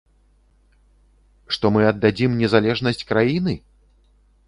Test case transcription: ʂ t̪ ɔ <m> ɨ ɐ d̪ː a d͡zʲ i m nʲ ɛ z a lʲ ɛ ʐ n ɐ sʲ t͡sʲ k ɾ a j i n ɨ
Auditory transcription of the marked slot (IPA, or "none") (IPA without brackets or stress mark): m